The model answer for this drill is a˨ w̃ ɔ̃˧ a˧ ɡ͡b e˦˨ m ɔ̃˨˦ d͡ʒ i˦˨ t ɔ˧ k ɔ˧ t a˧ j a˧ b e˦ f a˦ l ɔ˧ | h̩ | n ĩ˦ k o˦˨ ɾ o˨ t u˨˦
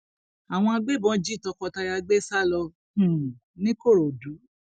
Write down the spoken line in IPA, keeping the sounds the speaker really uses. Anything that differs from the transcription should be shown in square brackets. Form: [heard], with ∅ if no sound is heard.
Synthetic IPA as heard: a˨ w̃ ɔ̃˧ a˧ ɡ͡b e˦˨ [b] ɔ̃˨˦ d͡ʒ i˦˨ t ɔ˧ k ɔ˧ t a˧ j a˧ [ɡ͡b] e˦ [s] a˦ l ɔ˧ | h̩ | n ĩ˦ k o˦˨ ɾ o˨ [d] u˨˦